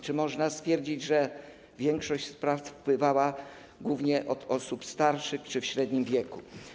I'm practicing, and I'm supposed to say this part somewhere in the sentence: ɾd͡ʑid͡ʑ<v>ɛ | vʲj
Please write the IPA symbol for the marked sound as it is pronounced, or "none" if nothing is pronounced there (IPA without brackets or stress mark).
ʐ